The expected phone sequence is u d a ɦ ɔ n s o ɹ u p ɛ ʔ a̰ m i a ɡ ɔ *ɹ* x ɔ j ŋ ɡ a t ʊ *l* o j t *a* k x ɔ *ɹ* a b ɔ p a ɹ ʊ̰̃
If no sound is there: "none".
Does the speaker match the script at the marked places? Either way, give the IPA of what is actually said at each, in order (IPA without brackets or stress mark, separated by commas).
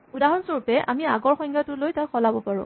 ɹ, l, a, l